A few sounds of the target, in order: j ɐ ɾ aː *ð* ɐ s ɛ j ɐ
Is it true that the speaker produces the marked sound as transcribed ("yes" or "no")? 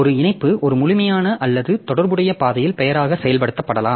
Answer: no